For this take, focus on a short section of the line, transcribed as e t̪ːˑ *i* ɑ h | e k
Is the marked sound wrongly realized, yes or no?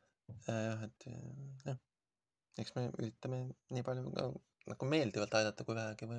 yes